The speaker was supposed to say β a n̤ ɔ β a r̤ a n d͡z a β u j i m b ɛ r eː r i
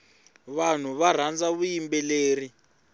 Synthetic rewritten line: β a n̤ u β a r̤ a n d͡z a β u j i m b ɛ l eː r i

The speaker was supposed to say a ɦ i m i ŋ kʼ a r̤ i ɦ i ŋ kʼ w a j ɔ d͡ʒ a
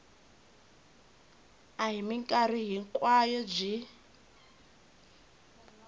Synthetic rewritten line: a ɦ i m i ŋ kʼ a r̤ i ɦ i ŋ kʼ w a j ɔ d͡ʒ i

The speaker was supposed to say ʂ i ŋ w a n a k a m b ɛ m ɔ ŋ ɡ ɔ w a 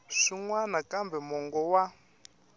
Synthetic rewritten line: ʂ i ŋ w a n a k a m b ɛ m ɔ ŋ ɡ ɔ w a

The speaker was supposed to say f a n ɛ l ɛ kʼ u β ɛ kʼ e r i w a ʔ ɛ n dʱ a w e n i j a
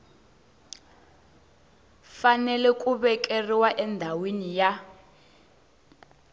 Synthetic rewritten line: f a n ɛ l ɛ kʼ u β ɛ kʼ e r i w a ʔ ɛ n dʱ a w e n i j a

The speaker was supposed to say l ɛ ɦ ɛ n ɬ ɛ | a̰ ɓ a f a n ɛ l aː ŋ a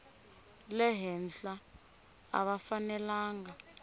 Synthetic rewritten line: l ɛ ɦ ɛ n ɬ a | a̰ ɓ a f a n ɛ l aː ŋ a

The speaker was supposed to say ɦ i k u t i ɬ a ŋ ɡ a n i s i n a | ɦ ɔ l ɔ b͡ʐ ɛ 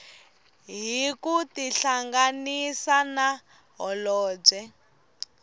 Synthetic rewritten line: ɦ i k u t i ɬ a ŋ ɡ a n i s a n a | ɦ ɔ l ɔː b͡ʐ ɛ

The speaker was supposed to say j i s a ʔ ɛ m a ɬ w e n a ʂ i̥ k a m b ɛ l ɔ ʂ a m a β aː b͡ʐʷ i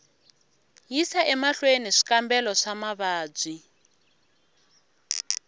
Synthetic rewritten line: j i s a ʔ ɛ m a ɬ w e n i ʂ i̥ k a m b ɛ l ɔ ʂ a m a β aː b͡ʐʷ i

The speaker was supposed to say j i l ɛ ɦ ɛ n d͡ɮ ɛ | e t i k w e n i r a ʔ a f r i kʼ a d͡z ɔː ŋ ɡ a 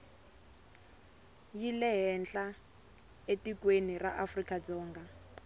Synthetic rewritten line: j i l ɛ ɦ ɛ n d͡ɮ a | e t i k w e n i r a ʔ a f r i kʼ a d͡z ɔː ŋ ɡ a

